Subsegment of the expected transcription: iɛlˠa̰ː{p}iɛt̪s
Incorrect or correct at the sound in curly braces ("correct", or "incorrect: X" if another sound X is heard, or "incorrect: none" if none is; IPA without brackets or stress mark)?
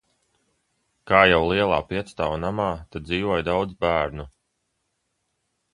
correct